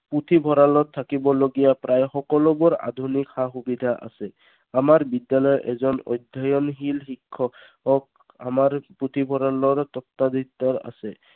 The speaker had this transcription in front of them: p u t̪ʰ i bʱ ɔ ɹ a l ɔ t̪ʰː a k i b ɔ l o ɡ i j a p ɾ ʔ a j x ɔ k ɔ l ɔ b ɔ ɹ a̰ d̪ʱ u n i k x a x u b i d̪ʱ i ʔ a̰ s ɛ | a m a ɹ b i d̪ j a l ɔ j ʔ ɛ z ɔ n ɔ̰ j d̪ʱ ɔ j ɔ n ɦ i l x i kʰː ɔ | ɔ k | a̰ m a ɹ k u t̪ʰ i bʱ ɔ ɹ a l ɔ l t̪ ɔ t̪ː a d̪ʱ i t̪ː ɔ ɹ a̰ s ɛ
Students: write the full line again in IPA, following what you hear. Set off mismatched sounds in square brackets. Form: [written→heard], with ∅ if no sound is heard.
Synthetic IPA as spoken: p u t̪ʰ i bʱ ɔ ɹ a l ɔ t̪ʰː a k i b ɔ l o ɡ i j a p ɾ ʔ a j x ɔ k ɔ l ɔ b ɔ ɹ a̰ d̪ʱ u n i k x a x u b i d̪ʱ [i→a] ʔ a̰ s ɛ | a m a ɹ b i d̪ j a l ɔ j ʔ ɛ z ɔ n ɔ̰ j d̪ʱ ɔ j ɔ n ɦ i l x i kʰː ɔ | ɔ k | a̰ m a ɹ [k→p] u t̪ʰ i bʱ ɔ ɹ a l ɔ [l→ɹ] t̪ ɔ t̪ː a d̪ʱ i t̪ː ɔ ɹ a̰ s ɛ